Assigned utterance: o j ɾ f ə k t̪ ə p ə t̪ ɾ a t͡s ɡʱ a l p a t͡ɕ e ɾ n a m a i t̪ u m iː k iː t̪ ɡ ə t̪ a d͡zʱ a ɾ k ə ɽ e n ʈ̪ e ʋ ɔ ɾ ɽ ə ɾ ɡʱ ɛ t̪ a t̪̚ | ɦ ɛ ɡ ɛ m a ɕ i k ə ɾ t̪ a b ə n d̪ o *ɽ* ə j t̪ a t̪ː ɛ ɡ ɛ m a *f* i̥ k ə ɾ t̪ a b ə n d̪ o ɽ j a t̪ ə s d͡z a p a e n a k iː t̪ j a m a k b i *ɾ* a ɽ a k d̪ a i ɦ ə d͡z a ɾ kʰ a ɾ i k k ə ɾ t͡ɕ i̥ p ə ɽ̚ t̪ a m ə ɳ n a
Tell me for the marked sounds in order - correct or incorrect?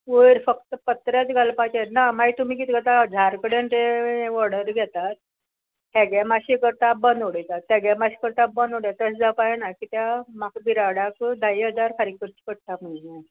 correct, incorrect: ɕ, correct

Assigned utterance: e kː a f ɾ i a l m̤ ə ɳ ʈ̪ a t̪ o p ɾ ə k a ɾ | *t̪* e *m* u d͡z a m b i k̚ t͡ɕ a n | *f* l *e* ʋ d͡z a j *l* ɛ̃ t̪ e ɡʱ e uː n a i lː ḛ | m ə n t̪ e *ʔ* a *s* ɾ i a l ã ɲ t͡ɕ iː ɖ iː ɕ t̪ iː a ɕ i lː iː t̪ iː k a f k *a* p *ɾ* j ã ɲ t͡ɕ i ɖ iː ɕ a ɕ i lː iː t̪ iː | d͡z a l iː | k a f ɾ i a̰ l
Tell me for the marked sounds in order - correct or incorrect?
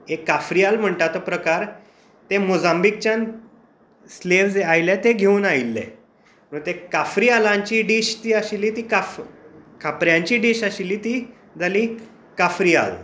correct, correct, incorrect: s, correct, correct, incorrect: k, incorrect: f, correct, correct

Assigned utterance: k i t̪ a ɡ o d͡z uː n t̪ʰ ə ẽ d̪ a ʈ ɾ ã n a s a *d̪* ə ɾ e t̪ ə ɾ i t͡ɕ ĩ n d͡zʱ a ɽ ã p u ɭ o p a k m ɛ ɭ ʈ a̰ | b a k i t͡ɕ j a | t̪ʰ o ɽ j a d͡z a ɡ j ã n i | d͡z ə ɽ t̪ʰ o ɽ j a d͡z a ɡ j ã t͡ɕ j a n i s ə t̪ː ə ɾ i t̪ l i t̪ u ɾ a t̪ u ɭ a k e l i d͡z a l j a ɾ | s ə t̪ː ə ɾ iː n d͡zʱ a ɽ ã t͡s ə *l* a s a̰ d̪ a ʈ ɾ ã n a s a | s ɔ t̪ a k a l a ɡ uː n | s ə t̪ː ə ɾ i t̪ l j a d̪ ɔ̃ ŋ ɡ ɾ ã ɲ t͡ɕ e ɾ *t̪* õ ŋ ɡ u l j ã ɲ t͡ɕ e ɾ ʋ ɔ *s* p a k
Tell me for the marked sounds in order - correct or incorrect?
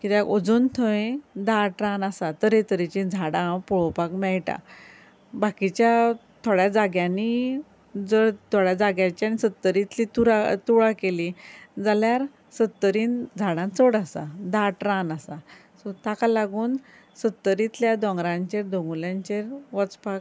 incorrect: t̪, incorrect: ɽ, incorrect: d̪, incorrect: t͡s

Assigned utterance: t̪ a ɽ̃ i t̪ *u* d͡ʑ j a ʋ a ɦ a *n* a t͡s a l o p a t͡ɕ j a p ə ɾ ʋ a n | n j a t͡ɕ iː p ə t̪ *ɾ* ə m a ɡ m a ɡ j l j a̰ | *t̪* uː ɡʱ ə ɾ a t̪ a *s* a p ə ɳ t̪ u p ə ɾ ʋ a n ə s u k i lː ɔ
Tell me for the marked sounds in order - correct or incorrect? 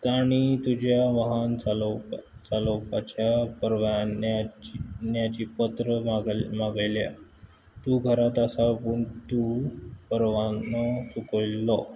correct, correct, correct, correct, correct

